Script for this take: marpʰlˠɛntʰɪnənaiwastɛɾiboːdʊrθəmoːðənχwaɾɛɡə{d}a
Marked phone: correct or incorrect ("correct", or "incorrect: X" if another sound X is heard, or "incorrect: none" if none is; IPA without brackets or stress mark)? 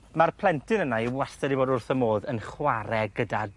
correct